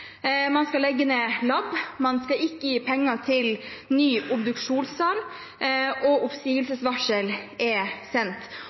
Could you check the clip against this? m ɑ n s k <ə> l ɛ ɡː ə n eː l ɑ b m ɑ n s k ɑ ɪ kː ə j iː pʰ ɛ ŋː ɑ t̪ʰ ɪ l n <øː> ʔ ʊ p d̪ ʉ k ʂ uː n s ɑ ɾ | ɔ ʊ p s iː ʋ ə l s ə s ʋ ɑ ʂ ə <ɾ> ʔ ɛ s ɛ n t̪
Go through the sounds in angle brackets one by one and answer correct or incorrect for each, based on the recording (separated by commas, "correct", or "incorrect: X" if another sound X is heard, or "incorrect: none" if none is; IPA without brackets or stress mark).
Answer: incorrect: ɑ, incorrect: yː, incorrect: l